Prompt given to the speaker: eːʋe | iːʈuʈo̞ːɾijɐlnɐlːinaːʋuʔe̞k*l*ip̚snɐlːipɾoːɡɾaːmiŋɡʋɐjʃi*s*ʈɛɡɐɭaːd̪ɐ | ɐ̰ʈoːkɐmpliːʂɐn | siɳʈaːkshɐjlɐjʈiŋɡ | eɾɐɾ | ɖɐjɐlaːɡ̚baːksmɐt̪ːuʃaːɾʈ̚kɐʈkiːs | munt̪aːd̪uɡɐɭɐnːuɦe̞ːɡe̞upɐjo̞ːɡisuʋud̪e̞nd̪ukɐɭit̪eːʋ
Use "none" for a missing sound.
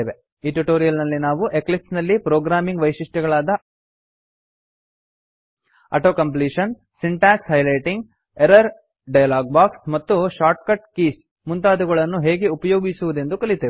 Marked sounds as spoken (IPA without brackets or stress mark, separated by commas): l, ʂ